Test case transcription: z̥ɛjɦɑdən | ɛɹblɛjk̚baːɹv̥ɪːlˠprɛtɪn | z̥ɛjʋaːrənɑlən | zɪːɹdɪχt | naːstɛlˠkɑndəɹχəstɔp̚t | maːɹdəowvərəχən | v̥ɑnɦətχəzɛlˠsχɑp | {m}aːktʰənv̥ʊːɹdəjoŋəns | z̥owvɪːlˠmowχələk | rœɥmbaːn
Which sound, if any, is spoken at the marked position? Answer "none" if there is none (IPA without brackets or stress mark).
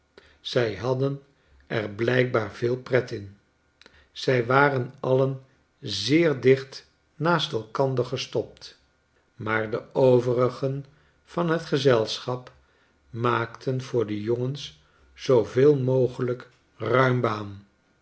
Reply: m